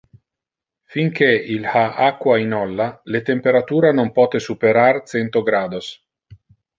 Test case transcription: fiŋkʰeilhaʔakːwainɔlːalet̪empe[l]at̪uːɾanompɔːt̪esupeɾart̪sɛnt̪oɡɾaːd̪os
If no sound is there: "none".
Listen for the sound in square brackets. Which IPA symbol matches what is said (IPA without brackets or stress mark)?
ɾ